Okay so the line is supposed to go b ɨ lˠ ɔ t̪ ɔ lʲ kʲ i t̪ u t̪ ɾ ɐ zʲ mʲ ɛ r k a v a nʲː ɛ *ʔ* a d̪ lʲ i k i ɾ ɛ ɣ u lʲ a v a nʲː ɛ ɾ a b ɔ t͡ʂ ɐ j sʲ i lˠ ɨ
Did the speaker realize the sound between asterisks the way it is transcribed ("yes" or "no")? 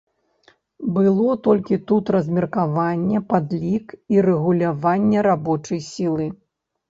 no